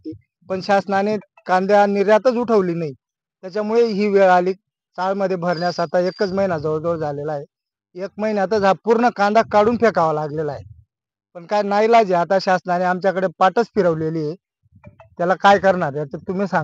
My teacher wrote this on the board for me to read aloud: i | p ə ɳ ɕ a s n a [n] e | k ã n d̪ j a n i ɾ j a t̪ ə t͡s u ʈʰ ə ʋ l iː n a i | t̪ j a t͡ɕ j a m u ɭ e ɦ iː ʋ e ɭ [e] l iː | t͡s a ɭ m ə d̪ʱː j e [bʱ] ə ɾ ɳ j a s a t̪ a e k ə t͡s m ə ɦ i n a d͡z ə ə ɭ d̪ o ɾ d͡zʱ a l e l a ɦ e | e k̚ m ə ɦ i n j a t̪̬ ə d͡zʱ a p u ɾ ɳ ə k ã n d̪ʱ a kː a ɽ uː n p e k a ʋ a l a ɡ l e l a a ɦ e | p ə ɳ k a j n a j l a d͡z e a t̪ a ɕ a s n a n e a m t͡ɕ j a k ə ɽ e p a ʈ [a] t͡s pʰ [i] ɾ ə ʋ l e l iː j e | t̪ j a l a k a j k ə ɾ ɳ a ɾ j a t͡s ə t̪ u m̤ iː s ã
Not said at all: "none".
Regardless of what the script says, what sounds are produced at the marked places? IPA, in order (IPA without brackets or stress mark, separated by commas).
n, a, bʱ, ə, i